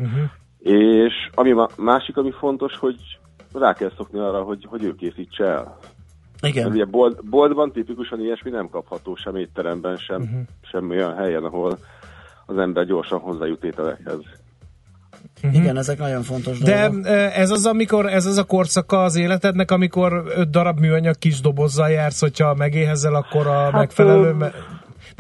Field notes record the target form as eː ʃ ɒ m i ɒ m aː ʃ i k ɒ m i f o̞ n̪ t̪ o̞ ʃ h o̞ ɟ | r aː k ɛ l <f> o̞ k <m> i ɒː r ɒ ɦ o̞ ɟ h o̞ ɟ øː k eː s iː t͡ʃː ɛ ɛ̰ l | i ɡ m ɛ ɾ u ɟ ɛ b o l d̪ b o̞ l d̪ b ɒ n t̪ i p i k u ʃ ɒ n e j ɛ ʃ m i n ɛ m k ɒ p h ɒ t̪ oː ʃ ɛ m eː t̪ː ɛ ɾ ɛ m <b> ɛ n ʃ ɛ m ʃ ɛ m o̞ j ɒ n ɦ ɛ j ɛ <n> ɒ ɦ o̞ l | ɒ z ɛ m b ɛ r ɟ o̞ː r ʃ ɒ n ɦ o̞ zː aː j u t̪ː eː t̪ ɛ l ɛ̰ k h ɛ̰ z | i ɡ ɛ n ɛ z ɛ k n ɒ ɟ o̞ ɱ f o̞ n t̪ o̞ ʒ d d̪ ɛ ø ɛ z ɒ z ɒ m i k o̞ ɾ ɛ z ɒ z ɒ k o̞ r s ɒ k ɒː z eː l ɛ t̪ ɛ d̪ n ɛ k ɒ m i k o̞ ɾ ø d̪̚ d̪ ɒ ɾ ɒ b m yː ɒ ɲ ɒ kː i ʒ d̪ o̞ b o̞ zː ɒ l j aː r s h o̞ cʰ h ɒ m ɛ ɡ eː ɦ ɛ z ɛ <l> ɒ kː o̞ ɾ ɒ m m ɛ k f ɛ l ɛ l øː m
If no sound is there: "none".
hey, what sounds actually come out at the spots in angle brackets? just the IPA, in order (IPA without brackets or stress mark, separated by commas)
s, n, b, n, l